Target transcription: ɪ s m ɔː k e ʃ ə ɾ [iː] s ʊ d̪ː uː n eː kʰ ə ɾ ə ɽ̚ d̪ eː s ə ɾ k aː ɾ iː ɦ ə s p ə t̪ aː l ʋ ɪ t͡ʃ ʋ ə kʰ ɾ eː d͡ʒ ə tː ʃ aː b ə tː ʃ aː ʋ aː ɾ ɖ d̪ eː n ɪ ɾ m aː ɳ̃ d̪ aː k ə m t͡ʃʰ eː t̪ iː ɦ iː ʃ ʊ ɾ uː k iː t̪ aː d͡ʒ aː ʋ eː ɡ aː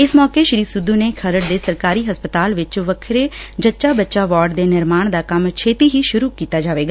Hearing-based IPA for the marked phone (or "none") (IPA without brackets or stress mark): iː